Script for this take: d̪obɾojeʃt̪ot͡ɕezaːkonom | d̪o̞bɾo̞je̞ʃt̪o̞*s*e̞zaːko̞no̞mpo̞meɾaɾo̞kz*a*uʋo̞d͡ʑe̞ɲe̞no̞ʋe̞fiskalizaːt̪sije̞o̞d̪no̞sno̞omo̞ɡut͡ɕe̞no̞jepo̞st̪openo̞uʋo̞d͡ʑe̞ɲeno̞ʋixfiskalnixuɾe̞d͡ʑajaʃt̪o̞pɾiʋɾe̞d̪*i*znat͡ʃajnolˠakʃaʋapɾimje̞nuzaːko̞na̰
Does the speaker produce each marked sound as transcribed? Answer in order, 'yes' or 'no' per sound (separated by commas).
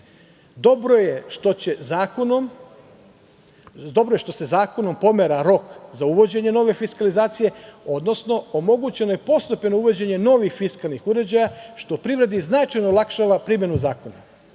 yes, yes, yes